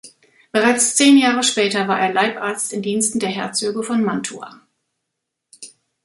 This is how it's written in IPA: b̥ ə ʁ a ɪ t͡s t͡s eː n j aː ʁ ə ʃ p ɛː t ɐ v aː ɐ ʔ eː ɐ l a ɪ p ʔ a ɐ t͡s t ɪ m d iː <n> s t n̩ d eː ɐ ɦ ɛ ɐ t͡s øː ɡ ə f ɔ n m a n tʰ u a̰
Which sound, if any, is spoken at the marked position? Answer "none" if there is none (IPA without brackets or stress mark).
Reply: n